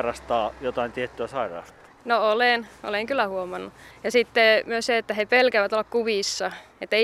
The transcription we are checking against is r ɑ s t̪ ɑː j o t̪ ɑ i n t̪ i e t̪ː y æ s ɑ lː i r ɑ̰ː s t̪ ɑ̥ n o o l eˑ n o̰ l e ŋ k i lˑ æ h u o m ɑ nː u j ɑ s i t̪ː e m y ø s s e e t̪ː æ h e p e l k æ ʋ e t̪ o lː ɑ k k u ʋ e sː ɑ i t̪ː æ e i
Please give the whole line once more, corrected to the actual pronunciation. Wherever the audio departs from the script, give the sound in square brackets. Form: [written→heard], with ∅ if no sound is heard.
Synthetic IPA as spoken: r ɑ s t̪ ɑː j o t̪ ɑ i n t̪ i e t̪ː y æ s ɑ [lː→∅] i r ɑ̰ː s t̪ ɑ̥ n o o l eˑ n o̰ l e ŋ k [i→y] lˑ æ h u o m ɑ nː u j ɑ s i t̪ː e m y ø s s e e t̪ː æ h e p e l k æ ʋ [e→æ] t̪ o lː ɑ k k u ʋ [e→i] sː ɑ [i→e] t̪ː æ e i